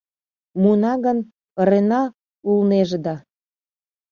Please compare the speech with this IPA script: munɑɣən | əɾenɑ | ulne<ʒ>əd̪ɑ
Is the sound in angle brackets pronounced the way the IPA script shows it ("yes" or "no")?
yes